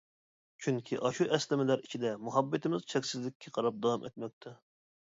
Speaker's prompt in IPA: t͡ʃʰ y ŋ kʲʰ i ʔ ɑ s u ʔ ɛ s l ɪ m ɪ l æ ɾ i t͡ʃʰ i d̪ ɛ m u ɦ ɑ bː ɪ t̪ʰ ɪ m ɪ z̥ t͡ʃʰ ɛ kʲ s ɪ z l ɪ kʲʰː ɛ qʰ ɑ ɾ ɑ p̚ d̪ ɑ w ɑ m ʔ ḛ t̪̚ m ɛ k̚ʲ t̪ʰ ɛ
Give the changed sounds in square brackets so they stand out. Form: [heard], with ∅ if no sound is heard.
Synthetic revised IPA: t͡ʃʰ y ŋ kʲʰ i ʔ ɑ [ʃ] u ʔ ɛ s l ɪ m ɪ l æ ɾ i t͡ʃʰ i d̪ ɛ m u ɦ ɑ bː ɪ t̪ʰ ɪ m ɪ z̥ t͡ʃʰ ɛ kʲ s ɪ z l ɪ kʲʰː ɛ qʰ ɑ ɾ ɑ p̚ d̪ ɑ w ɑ m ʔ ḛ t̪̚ m ɛ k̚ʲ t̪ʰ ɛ